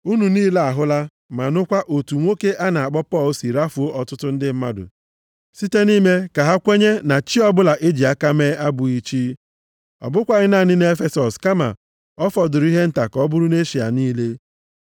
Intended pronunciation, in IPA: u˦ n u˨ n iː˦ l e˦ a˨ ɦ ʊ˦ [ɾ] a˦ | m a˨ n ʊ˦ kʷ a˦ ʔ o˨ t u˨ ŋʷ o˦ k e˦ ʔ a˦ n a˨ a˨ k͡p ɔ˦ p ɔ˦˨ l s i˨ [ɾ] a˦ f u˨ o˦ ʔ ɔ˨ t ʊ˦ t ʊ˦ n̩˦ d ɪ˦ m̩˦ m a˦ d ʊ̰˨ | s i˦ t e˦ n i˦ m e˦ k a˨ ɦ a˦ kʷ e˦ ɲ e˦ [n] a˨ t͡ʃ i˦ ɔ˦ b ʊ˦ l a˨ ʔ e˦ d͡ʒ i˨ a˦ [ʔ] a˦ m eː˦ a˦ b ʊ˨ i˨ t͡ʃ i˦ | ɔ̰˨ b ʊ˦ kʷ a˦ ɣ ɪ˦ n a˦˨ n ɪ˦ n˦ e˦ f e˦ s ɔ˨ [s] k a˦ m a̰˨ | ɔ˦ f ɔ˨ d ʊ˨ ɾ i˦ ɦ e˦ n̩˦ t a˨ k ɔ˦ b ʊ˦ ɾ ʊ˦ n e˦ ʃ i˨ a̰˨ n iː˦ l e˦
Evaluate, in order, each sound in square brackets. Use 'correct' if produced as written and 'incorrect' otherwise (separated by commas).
incorrect, correct, correct, incorrect, correct